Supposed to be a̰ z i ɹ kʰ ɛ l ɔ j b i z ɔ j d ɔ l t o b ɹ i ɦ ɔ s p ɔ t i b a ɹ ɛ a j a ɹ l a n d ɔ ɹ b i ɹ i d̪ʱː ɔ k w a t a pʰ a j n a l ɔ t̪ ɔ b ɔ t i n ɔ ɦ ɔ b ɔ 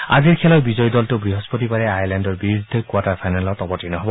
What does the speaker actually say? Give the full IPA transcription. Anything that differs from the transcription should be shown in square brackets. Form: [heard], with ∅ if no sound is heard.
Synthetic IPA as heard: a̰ z i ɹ kʰ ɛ l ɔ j b i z ɔ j d ɔ l t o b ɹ i ɦ ɔ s p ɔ t i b a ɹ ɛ a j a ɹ l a n d ɔ ɹ b i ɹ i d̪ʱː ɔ k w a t a pʰ a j n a l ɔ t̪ ɔ b ɔ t i n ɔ ɦ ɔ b ɔ